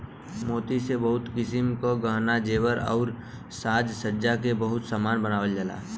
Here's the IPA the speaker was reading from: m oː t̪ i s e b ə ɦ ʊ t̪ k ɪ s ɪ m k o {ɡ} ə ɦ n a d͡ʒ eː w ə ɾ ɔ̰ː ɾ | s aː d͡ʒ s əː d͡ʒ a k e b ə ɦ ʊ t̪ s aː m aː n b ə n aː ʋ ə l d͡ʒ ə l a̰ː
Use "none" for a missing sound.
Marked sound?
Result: ɡ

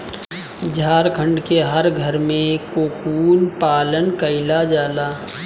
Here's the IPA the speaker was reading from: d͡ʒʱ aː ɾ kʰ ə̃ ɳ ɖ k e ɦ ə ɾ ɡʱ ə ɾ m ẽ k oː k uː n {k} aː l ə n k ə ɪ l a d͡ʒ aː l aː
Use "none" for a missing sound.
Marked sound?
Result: p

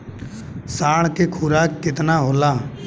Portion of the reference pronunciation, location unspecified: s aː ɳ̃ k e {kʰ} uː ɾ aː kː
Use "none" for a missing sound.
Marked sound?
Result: kʰ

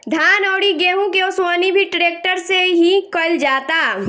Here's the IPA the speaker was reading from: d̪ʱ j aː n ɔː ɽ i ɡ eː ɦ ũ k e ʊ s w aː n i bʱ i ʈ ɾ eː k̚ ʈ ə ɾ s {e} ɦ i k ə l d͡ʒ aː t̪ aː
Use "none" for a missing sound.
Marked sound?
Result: e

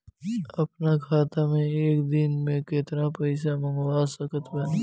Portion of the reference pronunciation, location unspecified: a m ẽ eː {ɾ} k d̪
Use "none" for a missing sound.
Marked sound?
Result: none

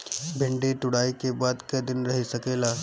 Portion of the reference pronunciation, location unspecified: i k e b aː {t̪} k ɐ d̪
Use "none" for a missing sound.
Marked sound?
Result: d̪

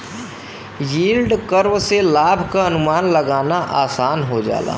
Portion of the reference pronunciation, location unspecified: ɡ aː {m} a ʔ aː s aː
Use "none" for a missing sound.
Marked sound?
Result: n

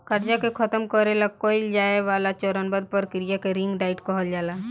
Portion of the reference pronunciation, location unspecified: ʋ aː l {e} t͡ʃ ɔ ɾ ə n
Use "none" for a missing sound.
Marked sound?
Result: a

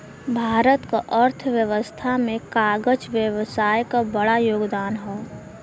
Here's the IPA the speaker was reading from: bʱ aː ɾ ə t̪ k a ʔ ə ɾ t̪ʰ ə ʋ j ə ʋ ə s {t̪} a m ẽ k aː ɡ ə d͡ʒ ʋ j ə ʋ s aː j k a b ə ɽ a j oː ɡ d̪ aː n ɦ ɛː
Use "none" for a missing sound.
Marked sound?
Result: t̪ʰ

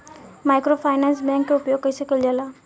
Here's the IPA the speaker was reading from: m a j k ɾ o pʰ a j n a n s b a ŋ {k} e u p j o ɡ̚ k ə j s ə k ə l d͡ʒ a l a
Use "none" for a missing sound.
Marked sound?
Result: k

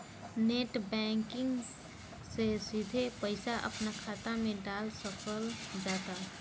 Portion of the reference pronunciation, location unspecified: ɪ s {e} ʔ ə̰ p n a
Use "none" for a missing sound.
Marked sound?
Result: a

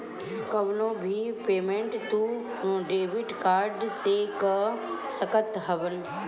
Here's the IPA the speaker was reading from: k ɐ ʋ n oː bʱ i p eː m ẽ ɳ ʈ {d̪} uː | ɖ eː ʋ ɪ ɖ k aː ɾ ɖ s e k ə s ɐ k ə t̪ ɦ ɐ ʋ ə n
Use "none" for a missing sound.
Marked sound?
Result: t̪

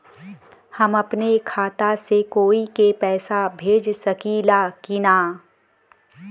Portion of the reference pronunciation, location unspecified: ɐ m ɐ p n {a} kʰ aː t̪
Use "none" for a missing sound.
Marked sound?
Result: e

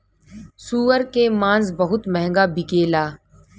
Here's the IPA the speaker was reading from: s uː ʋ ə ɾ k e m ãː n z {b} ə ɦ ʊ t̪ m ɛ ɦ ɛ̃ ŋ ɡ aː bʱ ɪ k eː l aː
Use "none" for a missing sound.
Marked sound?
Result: b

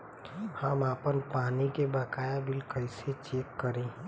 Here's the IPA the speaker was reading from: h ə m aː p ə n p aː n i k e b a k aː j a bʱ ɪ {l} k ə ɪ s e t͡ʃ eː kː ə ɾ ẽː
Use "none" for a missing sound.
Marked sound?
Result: l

